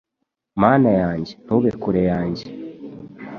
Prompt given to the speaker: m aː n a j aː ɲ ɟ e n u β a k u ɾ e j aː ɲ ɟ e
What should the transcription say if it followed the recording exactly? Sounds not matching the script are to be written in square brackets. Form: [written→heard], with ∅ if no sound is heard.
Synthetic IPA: m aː n a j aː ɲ ɟ e n u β [a→e] k u ɾ e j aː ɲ ɟ e